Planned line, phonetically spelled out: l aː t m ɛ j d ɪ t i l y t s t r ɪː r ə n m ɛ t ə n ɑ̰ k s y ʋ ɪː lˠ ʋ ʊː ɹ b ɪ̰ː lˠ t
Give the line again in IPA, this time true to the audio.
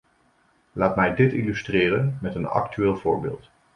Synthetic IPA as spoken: l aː t m ɛ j d ɪ t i l y s t r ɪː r ə n m ɛ t ə n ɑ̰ k t y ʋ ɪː lˠ v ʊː ɹ b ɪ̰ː lˠ t